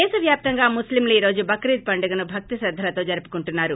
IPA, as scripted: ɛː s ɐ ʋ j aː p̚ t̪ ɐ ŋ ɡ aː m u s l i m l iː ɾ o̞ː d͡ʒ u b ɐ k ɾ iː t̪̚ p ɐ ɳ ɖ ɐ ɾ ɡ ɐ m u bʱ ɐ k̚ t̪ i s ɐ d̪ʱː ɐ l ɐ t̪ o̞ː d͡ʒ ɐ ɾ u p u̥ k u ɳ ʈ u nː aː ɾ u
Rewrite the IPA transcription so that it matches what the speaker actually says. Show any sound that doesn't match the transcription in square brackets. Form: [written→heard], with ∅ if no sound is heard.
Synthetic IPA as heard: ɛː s ɐ ʋ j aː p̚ t̪ ɐ ŋ ɡ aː m u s l i m l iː ɾ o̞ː d͡ʒ u b ɐ k ɾ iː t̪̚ p ɐ ɳ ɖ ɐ [ɾ→∅] ɡ ɐ [m→n] u bʱ ɐ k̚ t̪ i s ɐ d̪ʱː ɐ l ɐ t̪ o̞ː d͡ʒ ɐ ɾ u p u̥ k u ɳ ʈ u nː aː ɾ u